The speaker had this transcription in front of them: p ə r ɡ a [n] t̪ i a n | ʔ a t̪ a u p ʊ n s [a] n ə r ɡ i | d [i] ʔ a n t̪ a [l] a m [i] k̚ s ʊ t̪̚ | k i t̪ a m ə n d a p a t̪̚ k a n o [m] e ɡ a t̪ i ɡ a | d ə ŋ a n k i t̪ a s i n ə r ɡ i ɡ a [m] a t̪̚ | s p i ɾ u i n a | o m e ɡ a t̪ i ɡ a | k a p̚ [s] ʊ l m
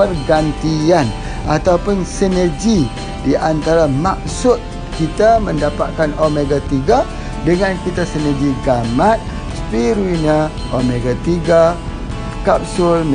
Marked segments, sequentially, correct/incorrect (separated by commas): correct, incorrect, correct, incorrect, incorrect, correct, correct, correct